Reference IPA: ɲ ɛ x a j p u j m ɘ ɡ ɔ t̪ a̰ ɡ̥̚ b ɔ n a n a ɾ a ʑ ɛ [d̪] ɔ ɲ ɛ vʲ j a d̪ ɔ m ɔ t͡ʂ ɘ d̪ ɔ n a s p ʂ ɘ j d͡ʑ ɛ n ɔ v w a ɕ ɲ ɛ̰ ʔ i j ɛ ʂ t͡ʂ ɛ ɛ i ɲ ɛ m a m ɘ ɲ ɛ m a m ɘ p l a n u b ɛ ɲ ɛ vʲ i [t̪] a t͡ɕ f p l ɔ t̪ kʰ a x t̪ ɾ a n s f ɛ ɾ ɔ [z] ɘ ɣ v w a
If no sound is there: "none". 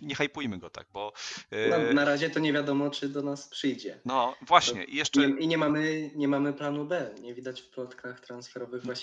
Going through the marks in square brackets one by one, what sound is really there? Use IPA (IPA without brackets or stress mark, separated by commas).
t̪, d̪, v